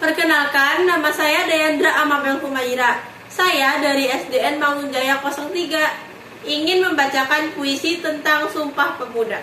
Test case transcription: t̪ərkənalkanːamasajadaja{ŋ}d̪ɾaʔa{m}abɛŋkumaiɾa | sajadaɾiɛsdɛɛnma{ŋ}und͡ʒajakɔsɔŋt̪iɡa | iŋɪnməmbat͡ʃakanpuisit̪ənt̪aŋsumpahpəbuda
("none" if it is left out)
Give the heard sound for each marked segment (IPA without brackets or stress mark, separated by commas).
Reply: n, m, ŋ